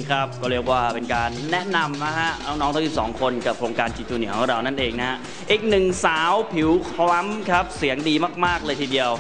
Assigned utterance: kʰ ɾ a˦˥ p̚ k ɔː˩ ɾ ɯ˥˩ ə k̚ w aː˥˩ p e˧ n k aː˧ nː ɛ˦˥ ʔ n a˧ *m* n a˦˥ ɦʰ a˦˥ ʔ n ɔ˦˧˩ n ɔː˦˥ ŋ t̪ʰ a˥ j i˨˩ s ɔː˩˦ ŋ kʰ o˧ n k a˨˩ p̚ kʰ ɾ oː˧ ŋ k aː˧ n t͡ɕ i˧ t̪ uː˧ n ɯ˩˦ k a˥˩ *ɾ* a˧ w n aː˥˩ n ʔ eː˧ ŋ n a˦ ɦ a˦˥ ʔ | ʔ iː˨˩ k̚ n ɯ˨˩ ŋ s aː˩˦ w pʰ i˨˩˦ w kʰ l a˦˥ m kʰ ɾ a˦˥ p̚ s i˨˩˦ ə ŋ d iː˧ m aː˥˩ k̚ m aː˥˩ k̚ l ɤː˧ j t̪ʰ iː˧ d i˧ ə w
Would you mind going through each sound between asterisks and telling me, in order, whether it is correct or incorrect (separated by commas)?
correct, correct